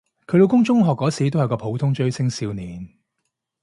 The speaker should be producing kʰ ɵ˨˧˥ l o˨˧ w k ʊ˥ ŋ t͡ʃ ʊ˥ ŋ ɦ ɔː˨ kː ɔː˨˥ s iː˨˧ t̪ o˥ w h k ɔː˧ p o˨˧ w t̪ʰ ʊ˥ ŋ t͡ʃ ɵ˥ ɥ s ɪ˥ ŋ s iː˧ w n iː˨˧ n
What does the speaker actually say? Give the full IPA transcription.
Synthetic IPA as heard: kʰ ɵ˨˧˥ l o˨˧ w k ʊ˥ ŋ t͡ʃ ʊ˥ ŋ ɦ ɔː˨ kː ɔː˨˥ s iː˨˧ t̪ o˥ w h k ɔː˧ pʰ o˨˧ w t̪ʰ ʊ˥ ŋ t͡ʃ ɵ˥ ɥ s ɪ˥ ŋ s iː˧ w n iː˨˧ n